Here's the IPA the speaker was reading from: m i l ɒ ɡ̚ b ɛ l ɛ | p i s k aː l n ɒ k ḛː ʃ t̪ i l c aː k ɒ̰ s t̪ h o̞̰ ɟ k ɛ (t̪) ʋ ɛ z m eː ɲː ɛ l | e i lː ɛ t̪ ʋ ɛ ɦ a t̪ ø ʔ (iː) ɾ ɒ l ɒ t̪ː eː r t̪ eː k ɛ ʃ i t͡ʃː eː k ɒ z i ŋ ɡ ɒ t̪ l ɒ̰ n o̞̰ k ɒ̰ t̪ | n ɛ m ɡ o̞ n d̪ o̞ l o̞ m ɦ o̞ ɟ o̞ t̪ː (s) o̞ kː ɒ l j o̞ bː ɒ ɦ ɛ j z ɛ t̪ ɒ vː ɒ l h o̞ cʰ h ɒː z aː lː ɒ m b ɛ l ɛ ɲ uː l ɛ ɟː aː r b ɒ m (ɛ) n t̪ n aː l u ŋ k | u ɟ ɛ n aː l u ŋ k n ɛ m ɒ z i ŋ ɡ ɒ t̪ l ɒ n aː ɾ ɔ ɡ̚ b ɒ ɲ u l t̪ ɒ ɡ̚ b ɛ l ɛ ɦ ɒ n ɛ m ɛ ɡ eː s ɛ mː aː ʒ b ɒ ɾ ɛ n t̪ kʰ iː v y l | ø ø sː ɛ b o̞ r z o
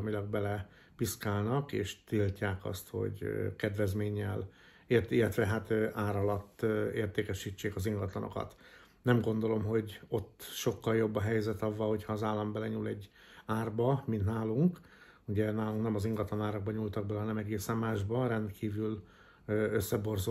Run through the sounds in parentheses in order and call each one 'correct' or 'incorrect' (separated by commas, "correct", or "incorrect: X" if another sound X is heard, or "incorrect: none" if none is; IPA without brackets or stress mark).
incorrect: d̪, incorrect: aː, incorrect: ʃ, incorrect: i